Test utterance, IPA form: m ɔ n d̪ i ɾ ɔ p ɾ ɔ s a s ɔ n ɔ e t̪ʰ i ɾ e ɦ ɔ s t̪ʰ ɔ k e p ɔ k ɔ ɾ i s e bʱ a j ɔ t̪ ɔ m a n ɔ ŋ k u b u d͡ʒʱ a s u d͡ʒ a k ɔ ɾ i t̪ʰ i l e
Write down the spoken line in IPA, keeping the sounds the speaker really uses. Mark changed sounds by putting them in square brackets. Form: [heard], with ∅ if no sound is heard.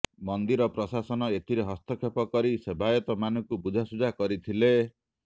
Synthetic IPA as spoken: m ɔ n d̪ i ɾ ɔ p ɾ ɔ s a s ɔ n ɔ e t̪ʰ i ɾ e ɦ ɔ s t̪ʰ ɔ [kʰ] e p ɔ k ɔ ɾ i s e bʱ a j ɔ t̪ ɔ m a n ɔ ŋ k u b u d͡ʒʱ a s u d͡ʒ a k ɔ ɾ i t̪ʰ i l e